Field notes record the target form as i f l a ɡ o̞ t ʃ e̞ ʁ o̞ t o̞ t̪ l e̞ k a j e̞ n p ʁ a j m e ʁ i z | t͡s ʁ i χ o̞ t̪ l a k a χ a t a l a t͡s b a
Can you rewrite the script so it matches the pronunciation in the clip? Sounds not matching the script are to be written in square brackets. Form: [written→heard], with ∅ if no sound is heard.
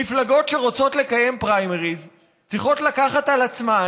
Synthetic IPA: i f l a ɡ o̞ t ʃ e̞ ʁ o̞ [t→t͡s] o̞ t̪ l e̞ k a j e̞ [n→m] p ʁ a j m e ʁ i z | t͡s ʁ i χ o̞ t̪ l a k a χ a t a l a t͡s [b→m] a